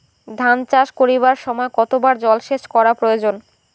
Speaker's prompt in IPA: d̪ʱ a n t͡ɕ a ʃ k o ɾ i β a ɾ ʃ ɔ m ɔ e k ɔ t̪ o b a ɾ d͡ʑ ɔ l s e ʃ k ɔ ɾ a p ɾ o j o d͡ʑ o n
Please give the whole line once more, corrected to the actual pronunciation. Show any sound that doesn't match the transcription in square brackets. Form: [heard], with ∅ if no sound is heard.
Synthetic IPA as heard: d̪ʱ a n t͡ɕ a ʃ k o ɾ i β a ɾ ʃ ɔ m ɔ e k ɔ t̪ o b a ɾ d͡ʑ ɔ l [ʃ] e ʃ k ɔ ɾ a p ɾ o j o d͡ʑ o n